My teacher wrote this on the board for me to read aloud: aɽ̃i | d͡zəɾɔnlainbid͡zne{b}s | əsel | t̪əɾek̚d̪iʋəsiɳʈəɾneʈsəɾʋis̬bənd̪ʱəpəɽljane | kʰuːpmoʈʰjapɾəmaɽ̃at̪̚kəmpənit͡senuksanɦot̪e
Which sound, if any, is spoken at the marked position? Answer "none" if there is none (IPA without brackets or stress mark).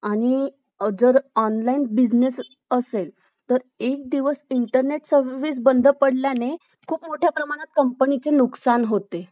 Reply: none